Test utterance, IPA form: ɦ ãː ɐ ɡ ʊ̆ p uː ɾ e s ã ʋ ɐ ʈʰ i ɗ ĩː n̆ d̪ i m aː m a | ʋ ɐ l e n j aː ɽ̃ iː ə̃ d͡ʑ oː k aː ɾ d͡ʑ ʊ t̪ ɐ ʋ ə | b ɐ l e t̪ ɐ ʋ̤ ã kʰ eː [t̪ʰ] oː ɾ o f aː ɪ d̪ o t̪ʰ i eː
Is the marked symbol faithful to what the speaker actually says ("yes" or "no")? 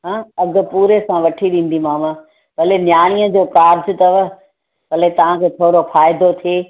yes